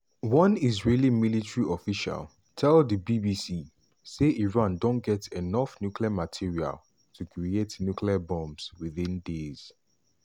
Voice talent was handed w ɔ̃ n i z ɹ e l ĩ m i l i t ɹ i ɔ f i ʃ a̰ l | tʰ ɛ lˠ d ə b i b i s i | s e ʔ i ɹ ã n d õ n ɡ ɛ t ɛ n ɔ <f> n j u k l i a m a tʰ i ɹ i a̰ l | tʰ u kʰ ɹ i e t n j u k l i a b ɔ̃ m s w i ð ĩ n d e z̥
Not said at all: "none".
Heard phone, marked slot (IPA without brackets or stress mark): f